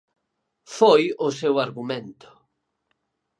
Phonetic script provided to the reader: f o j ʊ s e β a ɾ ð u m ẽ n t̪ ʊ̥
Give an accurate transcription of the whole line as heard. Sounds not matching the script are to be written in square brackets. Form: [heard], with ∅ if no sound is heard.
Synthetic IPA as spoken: f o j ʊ s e [w] a ɾ [ɣ] u m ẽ n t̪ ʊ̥